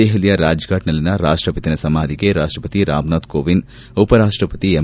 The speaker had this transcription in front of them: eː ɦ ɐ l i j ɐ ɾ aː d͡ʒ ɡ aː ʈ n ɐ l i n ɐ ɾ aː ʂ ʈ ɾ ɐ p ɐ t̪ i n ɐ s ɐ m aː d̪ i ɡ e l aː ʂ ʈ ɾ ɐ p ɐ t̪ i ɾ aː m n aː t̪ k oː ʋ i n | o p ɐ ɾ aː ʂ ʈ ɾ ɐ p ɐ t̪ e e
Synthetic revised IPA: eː ɦ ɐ l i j ɐ ɾ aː d͡ʒ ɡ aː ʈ n ɐ l i n ɐ ɾ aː ʂ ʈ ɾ ɐ p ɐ t̪ i n ɐ s ɐ m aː d̪ i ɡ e ɾ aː ʂ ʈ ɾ ɐ p ɐ t̪ i ɾ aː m n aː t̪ k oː ʋ i n | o p ɐ ɾ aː ʂ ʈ ɾ ɐ p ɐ t̪ i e

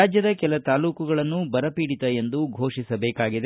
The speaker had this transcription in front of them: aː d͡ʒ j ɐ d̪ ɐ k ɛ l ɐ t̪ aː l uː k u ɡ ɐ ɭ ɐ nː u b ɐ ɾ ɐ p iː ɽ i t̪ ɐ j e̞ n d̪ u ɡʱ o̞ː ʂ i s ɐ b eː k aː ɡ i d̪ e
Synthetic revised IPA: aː d͡ʒ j ɐ d̪ ɐ k ɛ l ɐ t̪ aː l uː k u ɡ ɐ ɭ ɐ nː u b ɐ ɾ ɐ p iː ɽ i t̪ ɐ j e̞ n d̪ u ɡʱ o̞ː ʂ i s ɐ b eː k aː ɡ i d̪ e

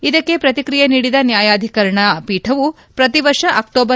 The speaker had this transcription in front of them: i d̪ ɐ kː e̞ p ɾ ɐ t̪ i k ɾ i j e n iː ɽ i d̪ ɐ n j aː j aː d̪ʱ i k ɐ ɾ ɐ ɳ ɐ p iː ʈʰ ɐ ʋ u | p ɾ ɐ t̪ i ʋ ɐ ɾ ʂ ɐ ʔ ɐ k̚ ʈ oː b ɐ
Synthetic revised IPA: i d̪ ɐ kː e̞ p ɾ ɐ t̪ i k ɾ i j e n iː ɽ i d̪ ɐ n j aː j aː d̪ʱ i k ɐ ɾ ɐ ɳ ɐ p iː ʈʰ ɐ ʋ u | p ɾ ɐ t̪ i ʋ ɐ ɾ ʂ ɐ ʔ ɐ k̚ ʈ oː b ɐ

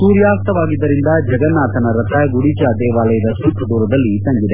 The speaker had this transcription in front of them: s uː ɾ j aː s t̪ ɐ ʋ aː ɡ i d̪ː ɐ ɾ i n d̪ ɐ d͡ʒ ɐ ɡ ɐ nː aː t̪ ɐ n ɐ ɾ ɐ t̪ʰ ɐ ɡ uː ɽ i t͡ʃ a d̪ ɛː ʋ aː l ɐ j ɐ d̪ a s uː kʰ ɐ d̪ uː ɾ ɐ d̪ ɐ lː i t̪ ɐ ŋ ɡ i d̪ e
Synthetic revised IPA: s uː ɾ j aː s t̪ ɐ ʋ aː ɡ i d̪ː ɐ ɾ i n d̪ ɐ d͡ʒ ɐ ɡ ɐ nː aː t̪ ɐ n ɐ ɾ ɐ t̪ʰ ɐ ɡ u ɽ i t͡ʃ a d̪ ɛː ʋ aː l ɐ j ɐ d̪ ɐ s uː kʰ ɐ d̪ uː ɾ ɐ d̪ ɐ lː i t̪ ɐ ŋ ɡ i d̪ e

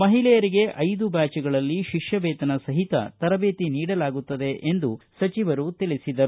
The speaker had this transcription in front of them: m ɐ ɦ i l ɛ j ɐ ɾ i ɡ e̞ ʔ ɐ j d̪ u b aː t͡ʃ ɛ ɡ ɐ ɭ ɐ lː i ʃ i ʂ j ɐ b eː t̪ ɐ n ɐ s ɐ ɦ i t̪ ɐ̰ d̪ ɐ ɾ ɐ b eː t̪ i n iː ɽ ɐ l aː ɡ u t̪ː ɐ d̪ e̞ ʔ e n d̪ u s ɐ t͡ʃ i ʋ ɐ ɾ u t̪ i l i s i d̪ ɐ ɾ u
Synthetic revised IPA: m ɐ ɦ i l ɛ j ɐ ɾ i ɡ e̞ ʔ ɐ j d̪ u b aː t͡ʃ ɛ ɡ ɐ ɭ ɐ lː i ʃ i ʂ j ɐ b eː t̪ ɐ n ɐ s ɐ ɦ i t̪ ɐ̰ t̪ ɐ ɾ ɐ b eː t̪ i n iː ɽ ɐ l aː ɡ u t̪ː ɐ d̪ e̞ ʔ e n d̪ u s ɐ t͡ʃ i ʋ ɐ ɾ u t̪ i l i s i d̪ ɐ ɾ u

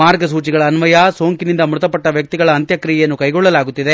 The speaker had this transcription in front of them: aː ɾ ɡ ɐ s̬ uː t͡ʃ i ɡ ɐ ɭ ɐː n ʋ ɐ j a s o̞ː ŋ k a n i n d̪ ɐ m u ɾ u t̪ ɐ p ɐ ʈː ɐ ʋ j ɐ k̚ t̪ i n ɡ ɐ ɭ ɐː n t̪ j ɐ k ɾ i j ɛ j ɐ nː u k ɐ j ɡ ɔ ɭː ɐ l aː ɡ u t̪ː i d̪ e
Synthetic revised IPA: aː ɾ ɡ ɐ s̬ uː t͡ʃ i ɡ ɐ ɭ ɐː n ʋ ɐ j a s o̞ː ŋ k i n i n d̪ ɐ m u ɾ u t̪ ɐ p ɐ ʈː ɐ ʋ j ɐ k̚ t̪ i ɡ ɐ ɭ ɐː n t̪ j ɐ k ɾ i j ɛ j ɐ nː u k ɐ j ɡ ɔ ɭː ɐ l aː ɡ u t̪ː i d̪ e

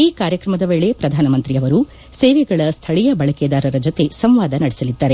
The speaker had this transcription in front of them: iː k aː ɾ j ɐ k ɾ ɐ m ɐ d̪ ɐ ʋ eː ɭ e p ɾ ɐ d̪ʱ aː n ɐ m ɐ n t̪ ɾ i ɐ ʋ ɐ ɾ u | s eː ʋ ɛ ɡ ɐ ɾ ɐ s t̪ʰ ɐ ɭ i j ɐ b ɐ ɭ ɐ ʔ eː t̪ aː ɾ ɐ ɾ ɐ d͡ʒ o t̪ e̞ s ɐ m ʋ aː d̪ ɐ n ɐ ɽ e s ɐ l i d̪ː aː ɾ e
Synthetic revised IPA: iː k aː ɾ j ɐ k ɾ ɐ m ɐ d̪ ɐ ʋ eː ɭ e p ɾ ɐ d̪ʱ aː n ɐ m ɐ n t̪ ɾ i ɐ ʋ ɐ ɾ u | s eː ʋ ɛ ɡ ɐ ɭ ɐ s t̪ʰ ɐ ɭ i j ɐ b ɐ ɭ ɐ k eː d̪ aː ɾ ɐ ɾ ɐ d͡ʒ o t̪ e̞ s ɐ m ʋ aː d̪ ɐ n ɐ ɽ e s ɐ l i d̪ː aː ɾ e

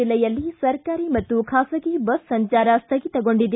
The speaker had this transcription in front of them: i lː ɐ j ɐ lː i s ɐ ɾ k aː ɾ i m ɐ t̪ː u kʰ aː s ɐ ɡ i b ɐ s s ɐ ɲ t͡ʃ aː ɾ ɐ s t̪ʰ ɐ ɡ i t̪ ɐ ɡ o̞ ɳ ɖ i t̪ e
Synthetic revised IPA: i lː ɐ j ɐ lː i s ɐ ɾ k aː ɾ i m ɐ t̪ː u kʰ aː s ɐ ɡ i b ɐ s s ɐ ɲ t͡ʃ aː ɾ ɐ s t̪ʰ ɐ ɡ i t̪ ɐ ɡ o̞ ɳ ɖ i d̪ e

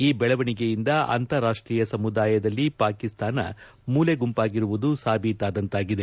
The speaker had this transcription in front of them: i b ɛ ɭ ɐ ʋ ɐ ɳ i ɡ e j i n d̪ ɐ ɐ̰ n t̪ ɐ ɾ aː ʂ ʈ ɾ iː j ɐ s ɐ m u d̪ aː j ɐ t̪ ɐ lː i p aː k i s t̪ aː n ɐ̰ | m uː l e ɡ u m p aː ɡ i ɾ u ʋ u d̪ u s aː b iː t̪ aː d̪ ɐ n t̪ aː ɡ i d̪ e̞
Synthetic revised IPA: iː b ɛ ɭ ɐ ʋ ɐ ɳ i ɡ e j i n d̪ ɐ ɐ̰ n t̪ ɐ ɾ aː ʂ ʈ ɾ iː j ɐ s ɐ m u d̪ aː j ɐ d̪ ɐ lː i p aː k i s t̪ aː n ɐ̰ | m uː l e ɡ u m p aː ɡ i ɾ u ʋ u d̪ u s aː b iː t̪ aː d̪ ɐ n t̪ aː ɡ i d̪ e̞

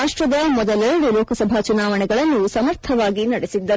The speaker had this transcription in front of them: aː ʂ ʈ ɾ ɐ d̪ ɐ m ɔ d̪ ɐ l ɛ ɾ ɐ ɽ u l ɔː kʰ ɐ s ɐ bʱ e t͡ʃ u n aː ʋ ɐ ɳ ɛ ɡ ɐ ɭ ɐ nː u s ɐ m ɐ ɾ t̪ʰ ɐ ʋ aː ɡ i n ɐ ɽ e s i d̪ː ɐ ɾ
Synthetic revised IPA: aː ʂ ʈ ɾ ɐ d̪ ɐ m ɔ d̪ ɐ l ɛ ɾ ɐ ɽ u l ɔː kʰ ɐ s ɐ bʱ a t͡ʃ u n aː ʋ ɐ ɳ ɛ ɡ ɐ ɭ ɐ nː u s ɐ m ɐ ɾ t̪ʰ ɐ ʋ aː ɡ i n ɐ ɽ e s i d̪ː ɐ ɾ

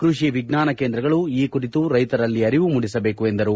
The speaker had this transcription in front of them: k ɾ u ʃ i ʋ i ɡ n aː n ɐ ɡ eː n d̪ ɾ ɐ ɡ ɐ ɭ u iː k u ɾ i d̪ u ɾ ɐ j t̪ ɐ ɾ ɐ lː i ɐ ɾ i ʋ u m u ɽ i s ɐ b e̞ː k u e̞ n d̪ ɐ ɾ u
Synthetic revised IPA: k ɾ u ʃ i ʋ i ɡ n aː n ɐ k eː n d̪ ɾ ɐ ɡ ɐ ɭ u iː k u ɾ i t̪ u ɾ ɐ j t̪ ɐ ɾ ɐ lː i ɐ ɾ i ʋ u m u ɽ i s ɐ b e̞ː k u e̞ n d̪ ɐ ɾ u

